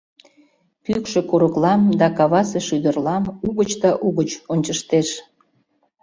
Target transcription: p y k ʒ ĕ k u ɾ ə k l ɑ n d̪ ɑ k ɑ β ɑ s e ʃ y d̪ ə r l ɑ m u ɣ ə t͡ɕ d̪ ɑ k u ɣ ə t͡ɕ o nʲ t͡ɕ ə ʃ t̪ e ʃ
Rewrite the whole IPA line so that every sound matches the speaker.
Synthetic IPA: p y k ʃ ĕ k u ɾ ə k l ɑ m d̪ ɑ k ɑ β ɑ s e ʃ y d̪ ə r l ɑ m u ɣ ə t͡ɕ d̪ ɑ ʔ u ɣ ə t͡ɕ o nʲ t͡ɕ ə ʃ t̪ e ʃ